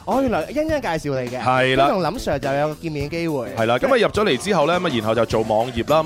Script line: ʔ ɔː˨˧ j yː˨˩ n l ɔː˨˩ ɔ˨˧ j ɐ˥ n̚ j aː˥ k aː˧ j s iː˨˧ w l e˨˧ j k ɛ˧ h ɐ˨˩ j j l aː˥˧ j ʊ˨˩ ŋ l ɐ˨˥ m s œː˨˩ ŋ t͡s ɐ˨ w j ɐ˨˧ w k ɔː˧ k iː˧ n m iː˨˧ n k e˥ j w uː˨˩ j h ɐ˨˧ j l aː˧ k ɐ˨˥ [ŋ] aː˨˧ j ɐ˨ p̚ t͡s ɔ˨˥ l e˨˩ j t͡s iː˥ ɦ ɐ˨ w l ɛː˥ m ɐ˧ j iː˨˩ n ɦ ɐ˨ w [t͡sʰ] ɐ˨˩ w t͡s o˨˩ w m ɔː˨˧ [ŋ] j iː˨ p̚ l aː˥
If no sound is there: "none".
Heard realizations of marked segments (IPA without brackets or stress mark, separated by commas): m, t͡s, ŋ